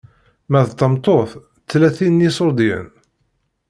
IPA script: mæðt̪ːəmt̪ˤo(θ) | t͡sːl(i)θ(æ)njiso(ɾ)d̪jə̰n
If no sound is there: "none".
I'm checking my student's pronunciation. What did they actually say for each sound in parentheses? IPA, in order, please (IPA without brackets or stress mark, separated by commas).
θ, æ, i, ɾ